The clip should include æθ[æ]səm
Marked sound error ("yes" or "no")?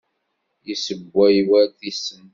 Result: yes